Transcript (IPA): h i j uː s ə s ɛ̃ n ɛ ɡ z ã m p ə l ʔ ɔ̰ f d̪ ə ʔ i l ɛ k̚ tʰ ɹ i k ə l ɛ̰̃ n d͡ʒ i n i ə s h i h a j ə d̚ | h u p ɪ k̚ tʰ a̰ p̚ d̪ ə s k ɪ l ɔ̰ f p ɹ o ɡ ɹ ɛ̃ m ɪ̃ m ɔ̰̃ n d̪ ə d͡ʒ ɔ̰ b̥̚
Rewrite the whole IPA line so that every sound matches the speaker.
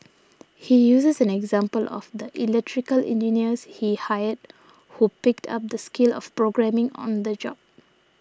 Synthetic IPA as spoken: h i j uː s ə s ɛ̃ n ɛ ɡ z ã m p ə l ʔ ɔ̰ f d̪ ə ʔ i l ɛ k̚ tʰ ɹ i k ə l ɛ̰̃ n d͡ʒ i n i ə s h i h a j ə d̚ | h u p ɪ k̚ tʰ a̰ p̚ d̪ ə s k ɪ l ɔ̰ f p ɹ o ɡ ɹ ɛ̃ m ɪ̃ ŋ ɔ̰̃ n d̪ ə d͡ʒ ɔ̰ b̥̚